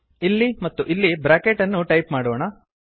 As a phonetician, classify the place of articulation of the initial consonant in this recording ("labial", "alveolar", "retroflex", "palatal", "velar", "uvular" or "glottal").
alveolar